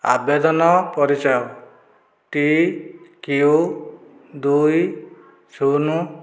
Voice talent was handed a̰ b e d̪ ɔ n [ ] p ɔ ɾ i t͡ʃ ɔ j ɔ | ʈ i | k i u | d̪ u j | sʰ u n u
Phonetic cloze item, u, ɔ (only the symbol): ɔ